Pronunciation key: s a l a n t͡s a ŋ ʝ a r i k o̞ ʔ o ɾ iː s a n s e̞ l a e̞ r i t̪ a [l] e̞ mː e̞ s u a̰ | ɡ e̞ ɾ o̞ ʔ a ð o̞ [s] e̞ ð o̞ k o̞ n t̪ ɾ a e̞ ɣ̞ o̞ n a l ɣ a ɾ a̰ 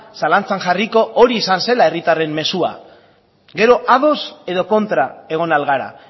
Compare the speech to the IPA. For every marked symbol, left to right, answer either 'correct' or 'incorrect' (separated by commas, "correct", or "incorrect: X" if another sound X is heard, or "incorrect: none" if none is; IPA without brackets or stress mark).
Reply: incorrect: r, correct